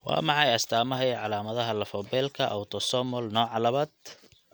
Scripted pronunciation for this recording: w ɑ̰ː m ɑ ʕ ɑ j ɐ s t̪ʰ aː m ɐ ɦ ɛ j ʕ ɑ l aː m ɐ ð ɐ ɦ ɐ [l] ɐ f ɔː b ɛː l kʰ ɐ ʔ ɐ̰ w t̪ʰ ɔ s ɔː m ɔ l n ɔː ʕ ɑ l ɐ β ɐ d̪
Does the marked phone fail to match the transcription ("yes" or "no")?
no